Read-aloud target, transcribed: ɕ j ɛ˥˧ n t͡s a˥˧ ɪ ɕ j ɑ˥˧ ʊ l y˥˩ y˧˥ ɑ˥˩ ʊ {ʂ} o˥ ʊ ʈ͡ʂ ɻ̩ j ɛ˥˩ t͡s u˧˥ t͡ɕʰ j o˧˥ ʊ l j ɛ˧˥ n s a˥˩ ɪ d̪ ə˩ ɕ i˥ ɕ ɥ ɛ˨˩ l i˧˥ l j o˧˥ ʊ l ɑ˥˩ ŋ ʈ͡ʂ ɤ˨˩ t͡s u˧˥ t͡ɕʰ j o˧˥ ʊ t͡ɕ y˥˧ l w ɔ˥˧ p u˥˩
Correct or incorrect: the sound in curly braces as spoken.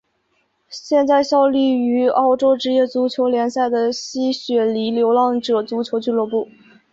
incorrect: ʈ͡ʂ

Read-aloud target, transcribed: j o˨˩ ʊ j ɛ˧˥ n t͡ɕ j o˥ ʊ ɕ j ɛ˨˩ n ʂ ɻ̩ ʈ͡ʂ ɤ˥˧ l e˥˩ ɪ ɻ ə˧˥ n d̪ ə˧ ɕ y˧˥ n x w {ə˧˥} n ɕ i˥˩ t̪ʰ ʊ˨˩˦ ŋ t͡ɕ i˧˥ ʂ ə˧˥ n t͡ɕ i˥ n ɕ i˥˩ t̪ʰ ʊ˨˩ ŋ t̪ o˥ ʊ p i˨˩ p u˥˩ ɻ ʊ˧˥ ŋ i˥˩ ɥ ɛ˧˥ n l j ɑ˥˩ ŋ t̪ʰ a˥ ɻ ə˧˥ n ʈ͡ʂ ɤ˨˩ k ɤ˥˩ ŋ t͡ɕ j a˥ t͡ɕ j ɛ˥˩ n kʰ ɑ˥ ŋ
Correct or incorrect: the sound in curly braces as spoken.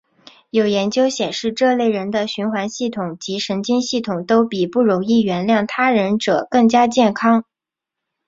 incorrect: a˧˥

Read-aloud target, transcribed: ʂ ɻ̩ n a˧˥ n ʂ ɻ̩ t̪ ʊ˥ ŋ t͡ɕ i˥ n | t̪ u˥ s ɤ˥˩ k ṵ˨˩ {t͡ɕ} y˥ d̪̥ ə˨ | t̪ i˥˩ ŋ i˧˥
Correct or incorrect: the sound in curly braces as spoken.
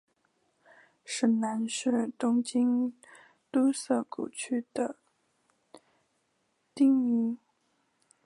incorrect: t͡ɕʰ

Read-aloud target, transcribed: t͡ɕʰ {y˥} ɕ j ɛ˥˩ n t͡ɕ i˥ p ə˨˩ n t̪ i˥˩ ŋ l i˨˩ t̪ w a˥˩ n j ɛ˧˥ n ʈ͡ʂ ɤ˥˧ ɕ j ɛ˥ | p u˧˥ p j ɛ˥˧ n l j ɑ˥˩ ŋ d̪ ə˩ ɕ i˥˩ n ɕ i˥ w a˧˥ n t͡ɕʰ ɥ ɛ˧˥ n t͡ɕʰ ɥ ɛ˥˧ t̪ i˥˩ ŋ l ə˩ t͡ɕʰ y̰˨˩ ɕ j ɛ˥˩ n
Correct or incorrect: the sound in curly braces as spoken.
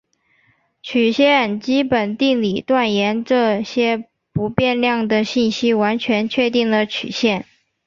incorrect: y˨˩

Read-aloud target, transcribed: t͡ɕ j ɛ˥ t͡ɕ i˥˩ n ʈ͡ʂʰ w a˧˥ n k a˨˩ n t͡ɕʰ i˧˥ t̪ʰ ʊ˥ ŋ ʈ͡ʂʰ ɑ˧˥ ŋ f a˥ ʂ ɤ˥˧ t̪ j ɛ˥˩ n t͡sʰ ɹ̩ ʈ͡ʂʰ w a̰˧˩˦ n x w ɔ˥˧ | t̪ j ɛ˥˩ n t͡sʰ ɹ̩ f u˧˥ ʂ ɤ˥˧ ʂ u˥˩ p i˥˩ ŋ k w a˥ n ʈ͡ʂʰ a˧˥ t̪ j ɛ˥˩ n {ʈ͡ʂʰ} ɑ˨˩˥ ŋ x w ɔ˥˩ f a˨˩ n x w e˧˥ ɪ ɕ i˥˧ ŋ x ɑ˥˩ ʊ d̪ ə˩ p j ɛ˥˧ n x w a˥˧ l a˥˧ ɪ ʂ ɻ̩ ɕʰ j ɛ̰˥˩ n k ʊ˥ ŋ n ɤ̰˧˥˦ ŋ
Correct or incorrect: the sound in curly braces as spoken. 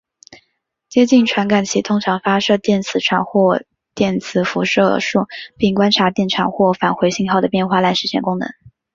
correct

